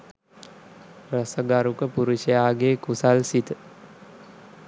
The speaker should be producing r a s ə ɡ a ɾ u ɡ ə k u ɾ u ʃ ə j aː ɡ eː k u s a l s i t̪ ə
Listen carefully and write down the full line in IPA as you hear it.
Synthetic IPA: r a s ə ɡ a ɾ u k ə p u ɾ u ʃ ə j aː ɡ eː k u s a l s i t̪ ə